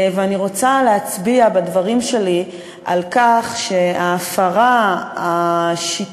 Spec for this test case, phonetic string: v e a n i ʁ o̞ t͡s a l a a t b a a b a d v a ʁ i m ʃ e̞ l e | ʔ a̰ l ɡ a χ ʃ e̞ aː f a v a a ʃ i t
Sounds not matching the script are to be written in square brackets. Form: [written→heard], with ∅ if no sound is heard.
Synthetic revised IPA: v e a n i ʁ o̞ t͡s a l [a→e] a [t→t͡s] b [a→i] a b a d v a ʁ i m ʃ e̞ l [e→i] | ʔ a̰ l [ɡ→k] a χ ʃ e̞ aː f a [v→ʁ] a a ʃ i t